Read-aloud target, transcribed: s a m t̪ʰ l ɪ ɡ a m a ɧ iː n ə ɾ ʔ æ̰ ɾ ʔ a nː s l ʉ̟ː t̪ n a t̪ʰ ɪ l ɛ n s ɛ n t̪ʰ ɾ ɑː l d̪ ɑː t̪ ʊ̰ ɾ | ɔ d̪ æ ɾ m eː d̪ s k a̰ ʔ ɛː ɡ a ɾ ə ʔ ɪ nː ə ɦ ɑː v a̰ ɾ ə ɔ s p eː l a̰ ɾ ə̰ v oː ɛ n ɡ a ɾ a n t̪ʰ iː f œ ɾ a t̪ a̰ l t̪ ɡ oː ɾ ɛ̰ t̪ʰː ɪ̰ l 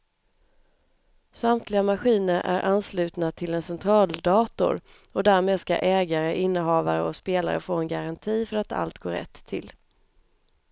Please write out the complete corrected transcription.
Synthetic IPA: s a m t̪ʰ l ɪ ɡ a m a ɧ iː n ə ɾ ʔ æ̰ ɾ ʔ a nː s l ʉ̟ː t̪ n a t̪ʰ ɪ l ɛ n s ɛ n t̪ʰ ɾ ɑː l d̪ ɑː t̪ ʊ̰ ɾ | ɔ d̪ æ ɾ m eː d̪ s k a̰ ʔ ɛː ɡ a ɾ ə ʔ ɪ nː ə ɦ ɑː v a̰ ɾ ə ɔ s p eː l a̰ ɾ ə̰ f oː ɛ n ɡ a ɾ a n t̪ʰ iː f œ ɾ a t̪ a̰ l t̪ ɡ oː ɾ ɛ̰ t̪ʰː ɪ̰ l